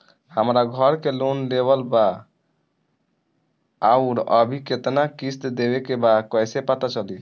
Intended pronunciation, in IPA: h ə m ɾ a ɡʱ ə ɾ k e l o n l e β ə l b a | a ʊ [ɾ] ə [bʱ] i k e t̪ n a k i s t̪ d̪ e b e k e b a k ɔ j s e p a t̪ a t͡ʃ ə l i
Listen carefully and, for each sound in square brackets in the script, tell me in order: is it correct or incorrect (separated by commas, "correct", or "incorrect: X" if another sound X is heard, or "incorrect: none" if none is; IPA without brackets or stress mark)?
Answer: correct, correct